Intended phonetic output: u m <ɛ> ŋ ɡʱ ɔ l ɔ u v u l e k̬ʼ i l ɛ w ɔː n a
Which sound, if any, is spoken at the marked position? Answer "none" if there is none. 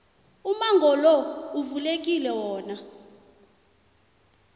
a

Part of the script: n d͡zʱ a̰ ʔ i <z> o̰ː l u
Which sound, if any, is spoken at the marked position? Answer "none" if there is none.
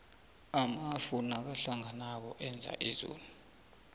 z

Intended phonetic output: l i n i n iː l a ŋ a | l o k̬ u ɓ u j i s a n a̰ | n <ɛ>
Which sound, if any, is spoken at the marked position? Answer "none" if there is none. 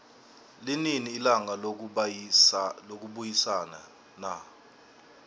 a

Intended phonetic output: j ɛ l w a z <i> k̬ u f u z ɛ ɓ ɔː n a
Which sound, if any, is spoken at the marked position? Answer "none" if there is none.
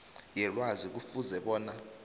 i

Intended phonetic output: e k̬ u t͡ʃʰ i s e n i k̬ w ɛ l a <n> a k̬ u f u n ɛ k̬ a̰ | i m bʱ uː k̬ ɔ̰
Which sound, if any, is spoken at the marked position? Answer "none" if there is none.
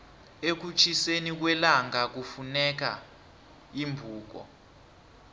ŋ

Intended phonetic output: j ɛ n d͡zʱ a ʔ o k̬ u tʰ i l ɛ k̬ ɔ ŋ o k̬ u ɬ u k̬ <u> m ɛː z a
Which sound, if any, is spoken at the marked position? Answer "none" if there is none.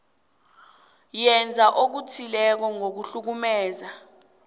u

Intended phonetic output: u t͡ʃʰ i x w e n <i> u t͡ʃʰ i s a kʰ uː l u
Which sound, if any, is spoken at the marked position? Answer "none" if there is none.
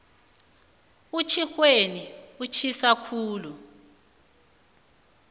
i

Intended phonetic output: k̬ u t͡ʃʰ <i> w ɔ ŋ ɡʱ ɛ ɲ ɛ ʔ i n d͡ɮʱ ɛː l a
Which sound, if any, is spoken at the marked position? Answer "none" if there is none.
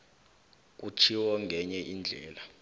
i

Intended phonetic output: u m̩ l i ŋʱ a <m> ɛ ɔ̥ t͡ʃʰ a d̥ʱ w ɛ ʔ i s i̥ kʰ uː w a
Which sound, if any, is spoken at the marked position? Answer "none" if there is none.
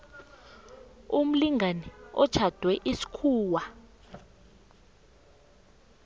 n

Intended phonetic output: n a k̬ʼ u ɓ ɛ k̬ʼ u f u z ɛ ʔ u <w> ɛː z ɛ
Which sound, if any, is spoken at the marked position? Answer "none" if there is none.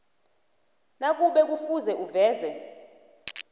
v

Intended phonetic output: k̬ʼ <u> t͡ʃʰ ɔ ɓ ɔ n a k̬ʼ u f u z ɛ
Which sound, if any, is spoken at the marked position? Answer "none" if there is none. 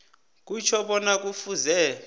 u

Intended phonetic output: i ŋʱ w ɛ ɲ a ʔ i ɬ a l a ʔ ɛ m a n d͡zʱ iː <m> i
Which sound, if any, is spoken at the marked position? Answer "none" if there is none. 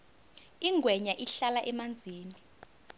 n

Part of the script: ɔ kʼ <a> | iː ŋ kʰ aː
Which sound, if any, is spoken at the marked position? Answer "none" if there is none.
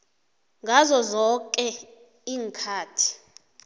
ɛ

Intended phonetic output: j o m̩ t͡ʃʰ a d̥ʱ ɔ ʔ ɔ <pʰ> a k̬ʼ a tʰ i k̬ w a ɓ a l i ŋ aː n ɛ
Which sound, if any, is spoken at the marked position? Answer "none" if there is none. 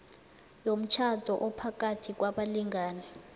pʰ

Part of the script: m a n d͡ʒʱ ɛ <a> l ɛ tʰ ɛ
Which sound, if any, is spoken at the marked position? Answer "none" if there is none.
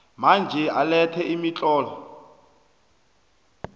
a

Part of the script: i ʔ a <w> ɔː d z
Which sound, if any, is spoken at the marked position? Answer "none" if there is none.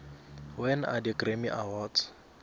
w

